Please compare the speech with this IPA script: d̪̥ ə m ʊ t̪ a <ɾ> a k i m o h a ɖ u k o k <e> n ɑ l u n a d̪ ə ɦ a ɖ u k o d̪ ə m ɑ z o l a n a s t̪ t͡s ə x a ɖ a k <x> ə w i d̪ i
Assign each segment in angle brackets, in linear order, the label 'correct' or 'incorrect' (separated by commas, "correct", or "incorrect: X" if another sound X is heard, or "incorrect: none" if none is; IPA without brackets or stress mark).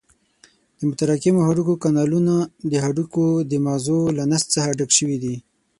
correct, incorrect: a, incorrect: ʃ